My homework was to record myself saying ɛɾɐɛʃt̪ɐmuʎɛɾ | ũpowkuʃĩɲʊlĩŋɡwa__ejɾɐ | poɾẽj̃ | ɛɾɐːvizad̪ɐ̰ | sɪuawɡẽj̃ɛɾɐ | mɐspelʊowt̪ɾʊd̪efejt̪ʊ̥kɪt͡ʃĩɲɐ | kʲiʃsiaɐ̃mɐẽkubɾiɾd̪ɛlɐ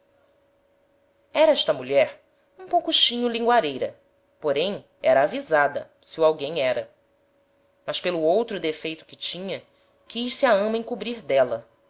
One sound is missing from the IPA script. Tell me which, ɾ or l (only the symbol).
ɾ